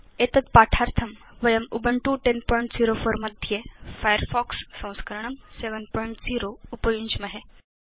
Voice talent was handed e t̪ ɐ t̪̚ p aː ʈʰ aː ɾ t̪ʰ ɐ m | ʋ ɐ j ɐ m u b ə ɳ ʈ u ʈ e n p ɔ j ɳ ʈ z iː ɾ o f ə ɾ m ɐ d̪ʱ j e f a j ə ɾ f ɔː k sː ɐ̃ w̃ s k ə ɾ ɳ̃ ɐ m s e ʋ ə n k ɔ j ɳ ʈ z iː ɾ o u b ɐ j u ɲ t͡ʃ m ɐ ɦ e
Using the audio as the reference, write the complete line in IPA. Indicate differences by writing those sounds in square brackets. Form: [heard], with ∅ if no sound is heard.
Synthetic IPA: e t̪ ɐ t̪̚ p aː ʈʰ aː ɾ t̪ʰ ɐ m | ʋ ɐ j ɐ m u b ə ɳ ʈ u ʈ e n p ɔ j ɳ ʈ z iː ɾ o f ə ɾ m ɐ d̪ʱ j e f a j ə ɾ f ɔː k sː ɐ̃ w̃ s k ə ɾ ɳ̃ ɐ m s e ʋ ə n [p] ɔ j ɳ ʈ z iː ɾ o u [p] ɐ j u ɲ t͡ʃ m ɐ ɦ e